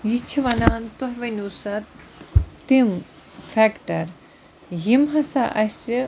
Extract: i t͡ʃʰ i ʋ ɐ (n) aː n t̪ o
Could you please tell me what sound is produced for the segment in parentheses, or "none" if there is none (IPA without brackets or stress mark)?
n